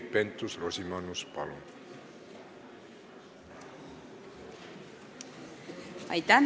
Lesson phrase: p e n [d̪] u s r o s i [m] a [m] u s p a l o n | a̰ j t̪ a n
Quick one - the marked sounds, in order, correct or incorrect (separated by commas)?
incorrect, correct, incorrect